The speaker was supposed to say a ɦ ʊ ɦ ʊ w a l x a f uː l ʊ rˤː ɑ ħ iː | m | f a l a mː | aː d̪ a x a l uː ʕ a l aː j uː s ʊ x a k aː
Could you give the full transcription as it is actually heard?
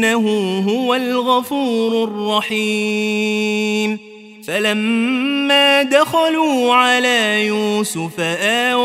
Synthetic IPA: a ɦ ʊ ɦ ʊ w a l ɣ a f uː ɾ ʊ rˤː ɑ ħ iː | m | f a l a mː | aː d̪ a x a l uː ʕ a l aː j uː s ʊ f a ʔ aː